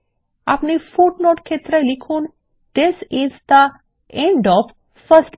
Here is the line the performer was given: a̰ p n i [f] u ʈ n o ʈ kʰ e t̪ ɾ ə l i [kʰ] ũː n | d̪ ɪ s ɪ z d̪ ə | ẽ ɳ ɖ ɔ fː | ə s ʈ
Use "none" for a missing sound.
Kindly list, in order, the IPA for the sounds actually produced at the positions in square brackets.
f, kʰ

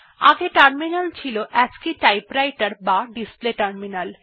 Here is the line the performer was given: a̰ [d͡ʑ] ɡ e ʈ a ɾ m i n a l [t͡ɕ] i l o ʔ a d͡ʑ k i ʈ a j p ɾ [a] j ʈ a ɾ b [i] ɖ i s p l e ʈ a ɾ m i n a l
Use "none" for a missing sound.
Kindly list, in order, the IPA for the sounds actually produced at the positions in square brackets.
none, t͡ɕʰ, a, a

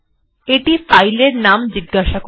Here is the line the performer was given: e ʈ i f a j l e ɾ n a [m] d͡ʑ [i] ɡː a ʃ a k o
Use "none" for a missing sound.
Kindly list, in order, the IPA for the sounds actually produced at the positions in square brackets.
m, i

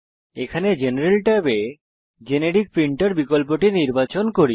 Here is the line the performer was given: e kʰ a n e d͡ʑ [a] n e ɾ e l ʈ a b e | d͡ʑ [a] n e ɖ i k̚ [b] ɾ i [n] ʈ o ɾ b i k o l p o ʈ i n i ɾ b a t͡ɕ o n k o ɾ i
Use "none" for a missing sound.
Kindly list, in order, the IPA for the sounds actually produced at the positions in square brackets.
e, e, p, ɳ

